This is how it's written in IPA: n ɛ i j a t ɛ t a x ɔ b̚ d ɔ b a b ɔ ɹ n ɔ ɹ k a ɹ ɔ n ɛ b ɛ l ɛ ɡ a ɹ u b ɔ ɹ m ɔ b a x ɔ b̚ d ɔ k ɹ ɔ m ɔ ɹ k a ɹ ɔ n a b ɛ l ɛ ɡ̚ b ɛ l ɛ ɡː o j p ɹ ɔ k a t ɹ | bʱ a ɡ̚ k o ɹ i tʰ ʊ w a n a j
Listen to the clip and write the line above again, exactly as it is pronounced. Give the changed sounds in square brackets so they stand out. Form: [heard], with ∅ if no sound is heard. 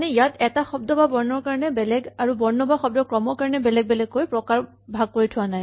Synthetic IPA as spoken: n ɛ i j a t ɛ t a x ɔ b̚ d ɔ b a b ɔ ɹ n ɔ ɹ k a ɹ ɔ n ɛ b ɛ l ɛ ɡ a ɹ u b ɔ ɹ [n] ɔ b a x ɔ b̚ d ɔ k ɹ ɔ m ɔ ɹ k a ɹ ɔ n [ɛ] b ɛ l ɛ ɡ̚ b ɛ l ɛ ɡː o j p ɹ ɔ k a [∅] ɹ | bʱ a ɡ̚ k o ɹ i tʰ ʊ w a n a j